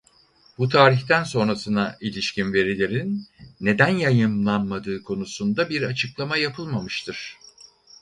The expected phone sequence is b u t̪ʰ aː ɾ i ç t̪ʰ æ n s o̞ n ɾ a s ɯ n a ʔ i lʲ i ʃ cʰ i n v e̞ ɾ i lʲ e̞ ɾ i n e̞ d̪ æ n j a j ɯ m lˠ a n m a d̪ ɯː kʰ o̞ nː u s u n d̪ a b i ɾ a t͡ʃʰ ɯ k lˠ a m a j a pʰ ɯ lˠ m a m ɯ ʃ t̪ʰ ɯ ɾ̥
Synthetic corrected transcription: b u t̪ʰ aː ɾ i ç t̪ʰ æ n s o̞ n ɾ a s ɯ n a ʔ i lʲ i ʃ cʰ i n v e̞ ɾ i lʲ e̞ ɾ i nː e̞ d̪ æ n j a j ɯ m lˠ a n m a d̪ ɯː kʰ o̞ n u s u n d̪ a b i ɾ a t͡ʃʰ ɯ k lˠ a m a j a pʰ ɯ lˠ m a m ɯ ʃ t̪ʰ ɯ ɾ̥